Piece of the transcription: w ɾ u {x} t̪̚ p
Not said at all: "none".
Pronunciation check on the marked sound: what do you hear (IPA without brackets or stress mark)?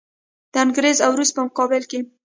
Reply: s